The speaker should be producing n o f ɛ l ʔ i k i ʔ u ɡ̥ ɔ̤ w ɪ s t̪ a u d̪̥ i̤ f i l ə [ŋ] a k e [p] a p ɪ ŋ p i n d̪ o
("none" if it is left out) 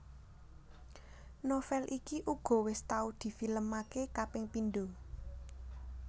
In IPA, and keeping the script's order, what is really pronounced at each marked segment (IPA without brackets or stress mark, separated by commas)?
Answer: m, k